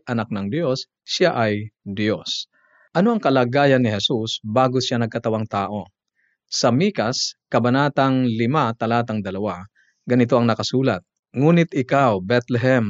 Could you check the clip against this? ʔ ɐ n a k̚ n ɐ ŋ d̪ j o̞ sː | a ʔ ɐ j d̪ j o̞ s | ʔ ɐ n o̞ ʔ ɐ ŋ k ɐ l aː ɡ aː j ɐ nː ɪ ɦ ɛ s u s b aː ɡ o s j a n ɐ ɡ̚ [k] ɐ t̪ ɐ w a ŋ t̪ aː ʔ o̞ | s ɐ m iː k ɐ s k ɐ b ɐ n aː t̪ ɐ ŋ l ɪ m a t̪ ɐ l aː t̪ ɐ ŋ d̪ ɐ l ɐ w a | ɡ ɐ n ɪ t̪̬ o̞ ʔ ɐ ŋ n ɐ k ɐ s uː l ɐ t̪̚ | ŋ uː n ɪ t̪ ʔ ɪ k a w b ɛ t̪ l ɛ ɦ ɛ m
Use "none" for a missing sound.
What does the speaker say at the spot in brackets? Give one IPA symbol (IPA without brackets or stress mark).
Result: k